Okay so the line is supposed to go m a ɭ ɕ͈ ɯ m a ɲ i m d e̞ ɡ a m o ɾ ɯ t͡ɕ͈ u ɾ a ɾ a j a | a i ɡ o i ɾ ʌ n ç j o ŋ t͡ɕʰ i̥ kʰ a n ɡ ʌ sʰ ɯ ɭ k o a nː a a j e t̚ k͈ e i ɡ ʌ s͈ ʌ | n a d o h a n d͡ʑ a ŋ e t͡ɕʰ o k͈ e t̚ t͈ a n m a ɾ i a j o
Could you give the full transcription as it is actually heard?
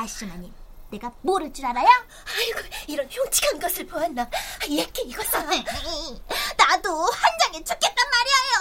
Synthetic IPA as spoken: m a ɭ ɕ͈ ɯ m a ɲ i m n e̞ ɡ a m o ɾ ɯ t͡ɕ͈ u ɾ a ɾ a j a | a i ɡ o i ɾ ʌ n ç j o ŋ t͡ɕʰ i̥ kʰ a n ɡ ʌ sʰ ɯ ɭ p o a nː a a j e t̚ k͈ e i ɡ ʌ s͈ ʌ | n a d o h a n d͡ʑ a ŋ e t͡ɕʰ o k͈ e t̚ t͈ a n m a ɾ i a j o